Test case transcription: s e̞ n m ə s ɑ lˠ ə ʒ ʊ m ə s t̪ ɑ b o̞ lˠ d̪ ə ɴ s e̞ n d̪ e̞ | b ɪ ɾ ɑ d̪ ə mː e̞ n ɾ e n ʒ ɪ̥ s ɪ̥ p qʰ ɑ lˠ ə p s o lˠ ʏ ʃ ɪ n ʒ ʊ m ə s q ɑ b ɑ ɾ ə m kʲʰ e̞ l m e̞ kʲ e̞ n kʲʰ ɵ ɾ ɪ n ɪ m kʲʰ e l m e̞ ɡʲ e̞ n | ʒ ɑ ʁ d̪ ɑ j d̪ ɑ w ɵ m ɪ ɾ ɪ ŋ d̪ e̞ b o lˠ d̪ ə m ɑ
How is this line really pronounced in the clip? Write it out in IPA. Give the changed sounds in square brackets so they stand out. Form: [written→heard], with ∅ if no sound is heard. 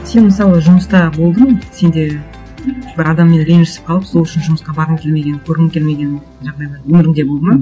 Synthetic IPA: s e̞ n m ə s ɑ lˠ ə ʒ ʊ m ə s t̪ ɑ b o̞ lˠ d̪ ə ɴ s e̞ n d̪ e̞ | b ɪ ɾ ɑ d̪ [ə→ɑ] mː e̞ n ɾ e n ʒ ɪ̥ s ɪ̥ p qʰ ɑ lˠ ə p s o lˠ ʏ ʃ ɪ n ʒ ʊ m ə s q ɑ b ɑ ɾ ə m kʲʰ e̞ l m e̞ [kʲ→ɡʲ] e̞ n kʲʰ ɵ ɾ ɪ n ɪ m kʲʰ e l m e̞ ɡʲ e̞ n | ʒ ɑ ʁ d̪ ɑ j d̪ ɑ w ɵ m ɪ ɾ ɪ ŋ d̪ e̞ b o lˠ d̪ ə m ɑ